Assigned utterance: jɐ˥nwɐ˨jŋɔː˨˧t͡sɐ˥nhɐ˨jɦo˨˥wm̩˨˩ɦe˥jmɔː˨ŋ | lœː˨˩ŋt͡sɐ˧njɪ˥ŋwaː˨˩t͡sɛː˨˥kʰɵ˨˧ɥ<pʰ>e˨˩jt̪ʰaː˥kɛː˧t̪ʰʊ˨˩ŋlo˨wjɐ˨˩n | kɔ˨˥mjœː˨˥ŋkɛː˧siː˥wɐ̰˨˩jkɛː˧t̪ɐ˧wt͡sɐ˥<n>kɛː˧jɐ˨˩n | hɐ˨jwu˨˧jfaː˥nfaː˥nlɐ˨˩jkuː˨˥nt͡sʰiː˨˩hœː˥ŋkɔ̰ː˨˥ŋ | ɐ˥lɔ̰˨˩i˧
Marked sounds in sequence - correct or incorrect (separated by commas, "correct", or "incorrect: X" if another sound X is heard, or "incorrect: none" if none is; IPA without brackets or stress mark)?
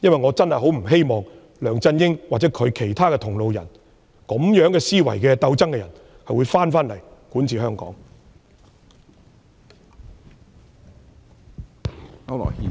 incorrect: kʰ, incorrect: ŋ